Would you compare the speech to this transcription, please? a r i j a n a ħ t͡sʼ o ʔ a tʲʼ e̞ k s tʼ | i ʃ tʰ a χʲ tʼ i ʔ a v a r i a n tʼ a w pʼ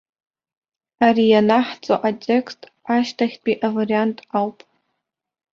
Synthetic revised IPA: a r i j a n a ħ t͡sʼ o ʔ a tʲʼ e̞ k s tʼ | a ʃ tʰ a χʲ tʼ i ʔ a v a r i a n tʼ a w pʼ